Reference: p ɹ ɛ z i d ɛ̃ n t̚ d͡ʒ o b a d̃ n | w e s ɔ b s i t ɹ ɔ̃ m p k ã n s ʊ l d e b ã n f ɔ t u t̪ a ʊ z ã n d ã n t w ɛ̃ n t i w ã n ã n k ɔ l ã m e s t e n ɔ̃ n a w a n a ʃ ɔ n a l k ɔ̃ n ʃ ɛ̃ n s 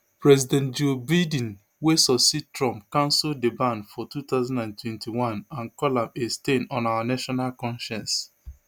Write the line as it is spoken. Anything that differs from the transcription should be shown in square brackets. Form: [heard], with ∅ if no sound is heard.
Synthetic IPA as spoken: p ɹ ɛ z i d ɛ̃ n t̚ d͡ʒ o b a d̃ n | w e s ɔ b s i t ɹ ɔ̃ m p k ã n s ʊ l d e b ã n f ɔ t u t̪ a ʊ z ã n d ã n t w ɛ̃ n t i w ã n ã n k ɔ l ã m e s t e n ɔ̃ n a w a n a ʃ ɔ n a l k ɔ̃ n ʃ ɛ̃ n s